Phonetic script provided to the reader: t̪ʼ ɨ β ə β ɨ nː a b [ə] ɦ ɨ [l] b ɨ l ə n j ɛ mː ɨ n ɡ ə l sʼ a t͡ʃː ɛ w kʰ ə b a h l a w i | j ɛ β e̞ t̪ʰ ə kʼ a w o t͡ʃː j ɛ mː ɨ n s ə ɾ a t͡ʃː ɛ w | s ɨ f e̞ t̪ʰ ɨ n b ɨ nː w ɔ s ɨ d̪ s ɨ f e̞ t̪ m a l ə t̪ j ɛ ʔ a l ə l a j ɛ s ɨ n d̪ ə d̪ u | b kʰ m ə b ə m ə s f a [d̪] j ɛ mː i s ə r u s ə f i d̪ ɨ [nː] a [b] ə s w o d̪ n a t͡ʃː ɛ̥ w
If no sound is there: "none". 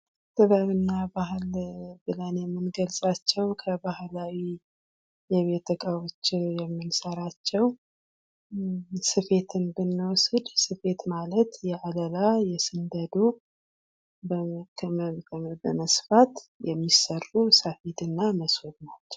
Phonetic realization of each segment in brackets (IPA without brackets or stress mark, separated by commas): a, l, t̪, nː, m